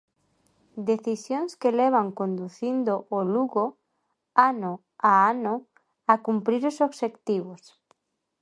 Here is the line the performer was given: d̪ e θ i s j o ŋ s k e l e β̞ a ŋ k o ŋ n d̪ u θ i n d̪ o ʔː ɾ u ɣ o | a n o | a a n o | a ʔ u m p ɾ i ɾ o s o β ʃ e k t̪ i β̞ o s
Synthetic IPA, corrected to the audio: d̪ e θ i s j o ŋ s k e l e β̞ a ŋ k o n d̪ u θ i n d̪ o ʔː l u ɣ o | a n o | a a n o | a k u m p ɾ i ɾ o s o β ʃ e k t̪ i β̞ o s